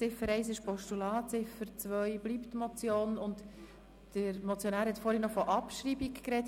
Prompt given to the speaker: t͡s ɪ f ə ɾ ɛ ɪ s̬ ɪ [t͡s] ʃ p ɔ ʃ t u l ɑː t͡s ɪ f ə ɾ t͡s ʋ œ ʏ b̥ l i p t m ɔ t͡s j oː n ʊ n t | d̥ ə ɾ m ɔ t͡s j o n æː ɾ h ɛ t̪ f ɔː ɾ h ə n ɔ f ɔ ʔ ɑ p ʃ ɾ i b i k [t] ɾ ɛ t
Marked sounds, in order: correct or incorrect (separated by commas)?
incorrect, incorrect